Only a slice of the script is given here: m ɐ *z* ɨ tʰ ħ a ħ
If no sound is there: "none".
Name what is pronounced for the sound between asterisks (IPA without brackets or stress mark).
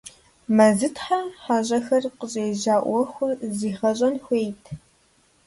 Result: z